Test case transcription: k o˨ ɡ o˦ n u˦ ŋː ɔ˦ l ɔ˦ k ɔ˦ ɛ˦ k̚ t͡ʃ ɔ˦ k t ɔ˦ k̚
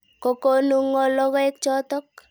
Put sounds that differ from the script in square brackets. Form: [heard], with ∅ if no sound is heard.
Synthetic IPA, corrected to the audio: k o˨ [k] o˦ n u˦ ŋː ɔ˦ l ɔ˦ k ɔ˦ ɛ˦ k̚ t͡ʃ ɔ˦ [∅] t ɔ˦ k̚